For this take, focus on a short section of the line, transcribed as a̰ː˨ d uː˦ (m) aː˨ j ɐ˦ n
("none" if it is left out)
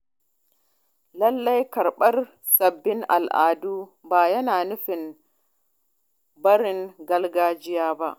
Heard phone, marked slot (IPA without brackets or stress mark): b